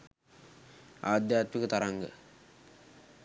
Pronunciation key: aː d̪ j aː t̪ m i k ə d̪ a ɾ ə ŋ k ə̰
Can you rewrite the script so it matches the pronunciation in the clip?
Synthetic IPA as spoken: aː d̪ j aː t̪ m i k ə t̪ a ɾ a ŋ ɡ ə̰